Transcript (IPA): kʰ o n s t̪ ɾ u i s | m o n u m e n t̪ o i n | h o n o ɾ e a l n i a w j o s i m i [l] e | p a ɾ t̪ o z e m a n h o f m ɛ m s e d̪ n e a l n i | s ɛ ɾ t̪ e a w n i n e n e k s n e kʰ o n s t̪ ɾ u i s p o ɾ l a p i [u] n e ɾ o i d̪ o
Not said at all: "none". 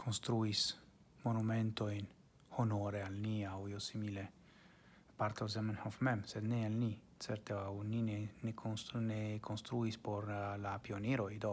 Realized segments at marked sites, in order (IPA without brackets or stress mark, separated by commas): l, o